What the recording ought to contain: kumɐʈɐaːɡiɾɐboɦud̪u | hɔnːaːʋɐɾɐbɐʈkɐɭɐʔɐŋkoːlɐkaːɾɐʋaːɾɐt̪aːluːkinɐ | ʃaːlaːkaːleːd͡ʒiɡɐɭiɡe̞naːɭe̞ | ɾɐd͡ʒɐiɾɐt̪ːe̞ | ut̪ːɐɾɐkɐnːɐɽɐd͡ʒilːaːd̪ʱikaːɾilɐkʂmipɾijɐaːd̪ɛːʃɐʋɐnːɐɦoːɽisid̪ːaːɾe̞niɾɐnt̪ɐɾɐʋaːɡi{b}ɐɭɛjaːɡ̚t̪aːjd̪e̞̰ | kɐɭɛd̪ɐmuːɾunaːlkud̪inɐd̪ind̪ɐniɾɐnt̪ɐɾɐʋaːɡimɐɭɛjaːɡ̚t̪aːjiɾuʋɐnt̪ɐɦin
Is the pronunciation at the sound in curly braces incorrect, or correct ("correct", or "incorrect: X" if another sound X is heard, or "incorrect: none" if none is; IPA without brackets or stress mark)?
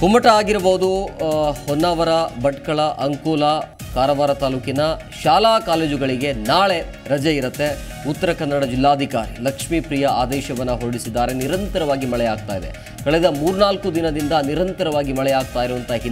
incorrect: m